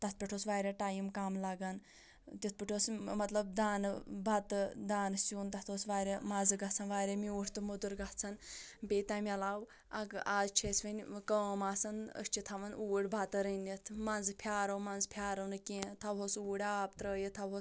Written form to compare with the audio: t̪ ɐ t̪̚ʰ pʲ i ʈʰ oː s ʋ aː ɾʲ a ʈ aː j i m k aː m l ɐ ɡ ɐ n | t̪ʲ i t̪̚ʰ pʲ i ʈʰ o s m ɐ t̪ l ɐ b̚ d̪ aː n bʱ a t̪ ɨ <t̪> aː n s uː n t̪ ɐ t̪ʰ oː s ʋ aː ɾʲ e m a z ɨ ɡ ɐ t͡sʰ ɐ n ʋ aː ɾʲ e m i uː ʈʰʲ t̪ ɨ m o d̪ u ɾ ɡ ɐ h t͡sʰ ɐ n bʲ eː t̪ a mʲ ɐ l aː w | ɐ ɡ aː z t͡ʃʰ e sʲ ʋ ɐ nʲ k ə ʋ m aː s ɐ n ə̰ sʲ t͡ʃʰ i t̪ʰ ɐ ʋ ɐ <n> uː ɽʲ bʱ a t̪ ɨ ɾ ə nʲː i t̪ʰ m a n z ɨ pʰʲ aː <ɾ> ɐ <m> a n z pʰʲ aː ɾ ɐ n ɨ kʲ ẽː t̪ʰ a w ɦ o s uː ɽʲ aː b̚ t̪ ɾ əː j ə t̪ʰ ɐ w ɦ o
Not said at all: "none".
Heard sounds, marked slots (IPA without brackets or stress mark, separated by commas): d̪, n, ɾ, m